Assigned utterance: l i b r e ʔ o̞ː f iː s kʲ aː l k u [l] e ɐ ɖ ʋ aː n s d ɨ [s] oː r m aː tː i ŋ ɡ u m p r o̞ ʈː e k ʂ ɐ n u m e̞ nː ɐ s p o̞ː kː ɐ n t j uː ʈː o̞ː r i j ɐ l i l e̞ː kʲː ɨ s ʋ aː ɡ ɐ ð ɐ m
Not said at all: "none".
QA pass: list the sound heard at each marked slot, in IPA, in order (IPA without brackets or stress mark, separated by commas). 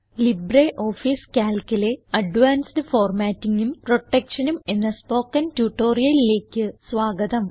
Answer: l, f